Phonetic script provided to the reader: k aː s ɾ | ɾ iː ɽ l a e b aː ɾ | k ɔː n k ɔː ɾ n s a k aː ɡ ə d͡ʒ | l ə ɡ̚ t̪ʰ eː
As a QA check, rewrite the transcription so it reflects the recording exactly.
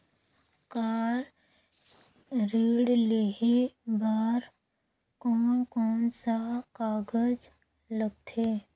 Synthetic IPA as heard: k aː ɾ | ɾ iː ɽ l e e b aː ɾ | k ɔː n k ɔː n s a k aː ɡ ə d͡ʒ | l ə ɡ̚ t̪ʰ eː